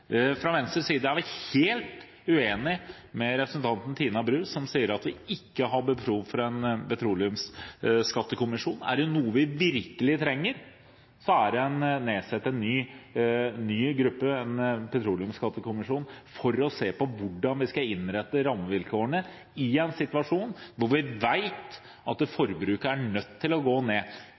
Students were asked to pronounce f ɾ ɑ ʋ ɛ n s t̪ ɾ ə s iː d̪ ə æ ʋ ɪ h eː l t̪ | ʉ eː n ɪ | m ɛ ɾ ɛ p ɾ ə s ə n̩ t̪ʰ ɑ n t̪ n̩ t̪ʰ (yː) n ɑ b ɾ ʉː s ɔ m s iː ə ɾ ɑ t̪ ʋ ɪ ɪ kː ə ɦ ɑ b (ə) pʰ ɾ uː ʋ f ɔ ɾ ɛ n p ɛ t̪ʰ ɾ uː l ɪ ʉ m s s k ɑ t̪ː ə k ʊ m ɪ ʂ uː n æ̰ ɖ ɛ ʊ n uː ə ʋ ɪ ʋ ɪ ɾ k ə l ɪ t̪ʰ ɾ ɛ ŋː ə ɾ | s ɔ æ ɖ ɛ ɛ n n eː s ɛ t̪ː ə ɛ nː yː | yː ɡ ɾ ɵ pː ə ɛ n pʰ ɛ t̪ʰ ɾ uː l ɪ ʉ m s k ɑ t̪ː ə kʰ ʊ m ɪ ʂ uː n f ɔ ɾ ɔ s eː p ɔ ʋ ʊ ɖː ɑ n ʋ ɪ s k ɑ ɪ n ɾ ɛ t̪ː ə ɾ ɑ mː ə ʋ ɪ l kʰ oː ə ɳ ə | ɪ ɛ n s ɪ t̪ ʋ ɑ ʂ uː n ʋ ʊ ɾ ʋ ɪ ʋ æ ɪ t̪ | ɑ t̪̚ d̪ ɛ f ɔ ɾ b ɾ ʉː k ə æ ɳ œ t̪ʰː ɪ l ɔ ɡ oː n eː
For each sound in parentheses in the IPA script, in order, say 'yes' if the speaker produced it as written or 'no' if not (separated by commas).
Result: no, yes